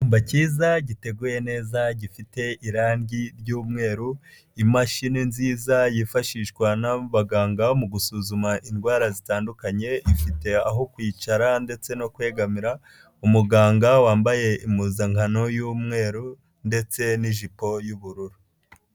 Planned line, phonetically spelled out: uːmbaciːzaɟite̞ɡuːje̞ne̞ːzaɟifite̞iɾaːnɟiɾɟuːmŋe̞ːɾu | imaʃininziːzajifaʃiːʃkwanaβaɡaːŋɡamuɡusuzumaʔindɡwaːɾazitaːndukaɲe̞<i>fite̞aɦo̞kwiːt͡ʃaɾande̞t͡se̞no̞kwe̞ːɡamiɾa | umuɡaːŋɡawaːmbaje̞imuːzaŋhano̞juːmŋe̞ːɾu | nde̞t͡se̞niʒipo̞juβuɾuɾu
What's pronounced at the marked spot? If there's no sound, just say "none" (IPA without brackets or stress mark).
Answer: i